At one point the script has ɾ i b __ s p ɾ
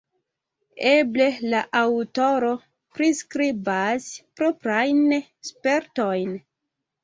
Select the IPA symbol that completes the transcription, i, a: a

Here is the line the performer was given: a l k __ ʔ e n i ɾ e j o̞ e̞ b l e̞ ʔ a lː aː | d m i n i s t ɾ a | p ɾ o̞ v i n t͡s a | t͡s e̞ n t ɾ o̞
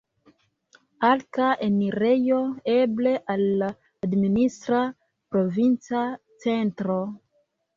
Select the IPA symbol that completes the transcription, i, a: a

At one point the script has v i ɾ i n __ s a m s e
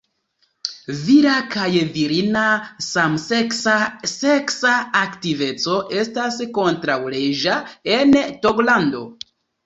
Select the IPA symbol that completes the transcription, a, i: a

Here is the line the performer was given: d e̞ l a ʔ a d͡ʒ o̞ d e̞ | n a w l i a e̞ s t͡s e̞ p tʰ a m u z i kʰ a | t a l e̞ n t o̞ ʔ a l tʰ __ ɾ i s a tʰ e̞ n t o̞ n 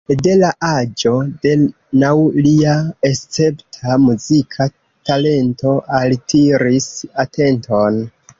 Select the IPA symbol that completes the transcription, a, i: i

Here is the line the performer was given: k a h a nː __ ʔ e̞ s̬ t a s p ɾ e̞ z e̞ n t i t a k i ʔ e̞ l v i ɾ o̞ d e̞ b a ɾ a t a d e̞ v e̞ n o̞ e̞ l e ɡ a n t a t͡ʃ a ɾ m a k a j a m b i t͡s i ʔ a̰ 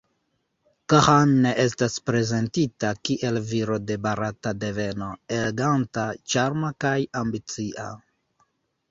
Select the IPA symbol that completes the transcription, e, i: e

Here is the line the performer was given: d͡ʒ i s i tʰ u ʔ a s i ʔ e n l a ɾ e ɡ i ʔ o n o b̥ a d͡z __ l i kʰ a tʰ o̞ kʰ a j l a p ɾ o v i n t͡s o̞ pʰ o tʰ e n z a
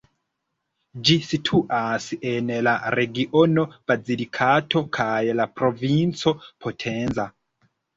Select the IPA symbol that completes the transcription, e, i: i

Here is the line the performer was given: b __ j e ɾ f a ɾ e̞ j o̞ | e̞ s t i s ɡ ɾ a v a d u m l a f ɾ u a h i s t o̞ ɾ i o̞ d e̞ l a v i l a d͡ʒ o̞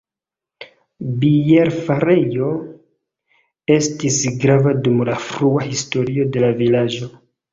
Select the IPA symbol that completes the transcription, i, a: i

